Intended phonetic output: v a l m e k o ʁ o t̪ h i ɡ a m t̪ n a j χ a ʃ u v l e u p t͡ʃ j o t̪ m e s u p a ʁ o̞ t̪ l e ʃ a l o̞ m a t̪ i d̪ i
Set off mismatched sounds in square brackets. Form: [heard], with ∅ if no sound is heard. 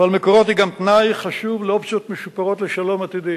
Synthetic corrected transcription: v a l m e k o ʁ o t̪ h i ɡ a m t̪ n a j χ a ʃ u v l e [o] p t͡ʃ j o t̪ m e [ʃ] u p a ʁ o̞ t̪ l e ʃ a l o̞ m a t̪ i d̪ i